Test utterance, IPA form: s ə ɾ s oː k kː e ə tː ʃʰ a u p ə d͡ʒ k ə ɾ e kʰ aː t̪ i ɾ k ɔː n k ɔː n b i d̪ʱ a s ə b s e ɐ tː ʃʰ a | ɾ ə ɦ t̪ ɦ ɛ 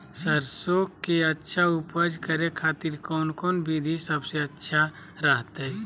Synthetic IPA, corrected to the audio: s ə ɾ s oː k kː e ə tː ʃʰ a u p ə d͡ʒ k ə ɾ e kʰ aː t̪ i ɾ k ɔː n k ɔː n b i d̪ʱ i s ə b s e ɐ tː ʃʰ a | ɾ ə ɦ t̪ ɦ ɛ